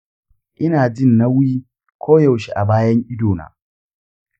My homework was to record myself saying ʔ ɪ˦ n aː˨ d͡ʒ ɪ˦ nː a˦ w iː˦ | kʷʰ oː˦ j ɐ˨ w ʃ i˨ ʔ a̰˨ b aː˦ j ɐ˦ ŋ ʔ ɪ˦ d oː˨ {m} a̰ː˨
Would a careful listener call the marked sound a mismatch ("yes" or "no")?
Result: yes